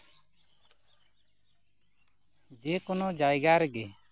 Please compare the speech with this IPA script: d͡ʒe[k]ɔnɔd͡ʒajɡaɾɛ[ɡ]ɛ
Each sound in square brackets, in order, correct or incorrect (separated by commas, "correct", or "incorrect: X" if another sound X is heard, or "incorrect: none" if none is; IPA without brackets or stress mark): correct, correct